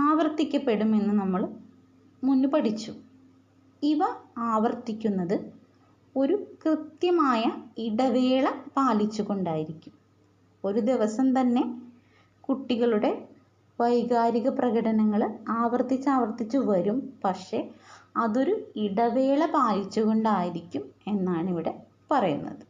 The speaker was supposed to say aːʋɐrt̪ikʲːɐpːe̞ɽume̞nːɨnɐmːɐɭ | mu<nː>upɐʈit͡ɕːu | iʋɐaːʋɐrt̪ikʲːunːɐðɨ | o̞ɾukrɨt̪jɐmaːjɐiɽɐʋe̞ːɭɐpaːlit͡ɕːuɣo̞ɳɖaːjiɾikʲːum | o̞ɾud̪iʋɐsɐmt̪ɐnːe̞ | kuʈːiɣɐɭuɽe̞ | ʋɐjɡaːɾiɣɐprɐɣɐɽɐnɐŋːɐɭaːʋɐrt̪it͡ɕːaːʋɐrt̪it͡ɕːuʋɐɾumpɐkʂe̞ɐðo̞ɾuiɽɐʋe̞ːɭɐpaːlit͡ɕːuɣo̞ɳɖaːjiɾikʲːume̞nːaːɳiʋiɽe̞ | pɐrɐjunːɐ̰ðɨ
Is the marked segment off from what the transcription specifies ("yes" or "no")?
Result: no